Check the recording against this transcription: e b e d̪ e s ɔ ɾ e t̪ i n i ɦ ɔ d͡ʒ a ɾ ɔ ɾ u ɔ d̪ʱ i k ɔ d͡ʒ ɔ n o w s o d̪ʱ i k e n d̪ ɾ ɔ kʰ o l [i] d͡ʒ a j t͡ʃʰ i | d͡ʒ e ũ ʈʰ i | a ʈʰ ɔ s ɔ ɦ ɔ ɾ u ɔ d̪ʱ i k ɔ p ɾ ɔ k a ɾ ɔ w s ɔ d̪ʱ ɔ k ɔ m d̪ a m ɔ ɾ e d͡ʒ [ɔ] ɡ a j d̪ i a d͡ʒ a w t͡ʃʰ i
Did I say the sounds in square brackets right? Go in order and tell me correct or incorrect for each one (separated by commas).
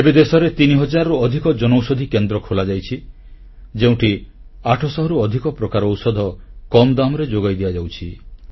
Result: incorrect, incorrect